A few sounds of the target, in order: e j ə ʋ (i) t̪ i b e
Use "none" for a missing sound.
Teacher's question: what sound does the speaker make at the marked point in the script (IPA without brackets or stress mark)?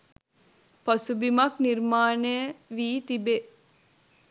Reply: iː